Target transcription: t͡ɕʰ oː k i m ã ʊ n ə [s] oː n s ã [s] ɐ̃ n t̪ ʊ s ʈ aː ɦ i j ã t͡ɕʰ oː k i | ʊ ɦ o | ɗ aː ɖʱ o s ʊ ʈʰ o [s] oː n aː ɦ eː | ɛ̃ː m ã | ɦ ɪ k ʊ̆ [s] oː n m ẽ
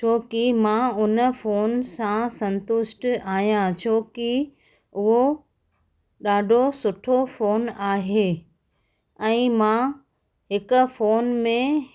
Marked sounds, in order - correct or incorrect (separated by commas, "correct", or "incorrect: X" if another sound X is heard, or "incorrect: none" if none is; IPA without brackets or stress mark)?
incorrect: f, correct, incorrect: f, incorrect: f